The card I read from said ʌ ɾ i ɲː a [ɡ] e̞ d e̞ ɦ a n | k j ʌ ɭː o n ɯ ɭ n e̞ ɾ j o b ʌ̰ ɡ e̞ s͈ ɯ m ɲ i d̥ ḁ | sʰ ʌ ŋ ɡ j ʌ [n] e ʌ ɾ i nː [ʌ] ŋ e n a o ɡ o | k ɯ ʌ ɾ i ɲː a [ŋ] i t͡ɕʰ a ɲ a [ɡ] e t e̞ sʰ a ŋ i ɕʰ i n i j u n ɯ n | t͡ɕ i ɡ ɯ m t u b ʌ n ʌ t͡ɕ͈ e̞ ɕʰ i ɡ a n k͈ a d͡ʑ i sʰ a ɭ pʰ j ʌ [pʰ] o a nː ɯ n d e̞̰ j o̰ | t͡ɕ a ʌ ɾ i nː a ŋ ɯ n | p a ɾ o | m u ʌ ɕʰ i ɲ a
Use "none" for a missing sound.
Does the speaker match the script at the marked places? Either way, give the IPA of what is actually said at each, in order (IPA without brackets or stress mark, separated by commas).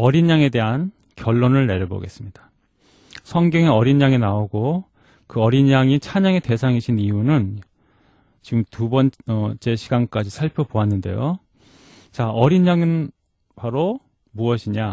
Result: ŋ, ŋ, a, ŋ, ŋ, p